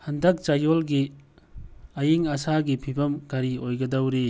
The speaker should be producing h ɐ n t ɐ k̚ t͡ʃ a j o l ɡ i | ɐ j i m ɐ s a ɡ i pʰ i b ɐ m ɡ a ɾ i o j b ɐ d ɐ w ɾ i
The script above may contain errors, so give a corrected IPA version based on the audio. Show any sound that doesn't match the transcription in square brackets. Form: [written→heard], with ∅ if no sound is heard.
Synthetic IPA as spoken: h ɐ n [t→d] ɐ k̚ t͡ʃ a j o l ɡ i | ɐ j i [m→ŋ] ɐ s a ɡ i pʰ i b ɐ m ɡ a ɾ i o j [b→ɡ] ɐ d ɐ w ɾ i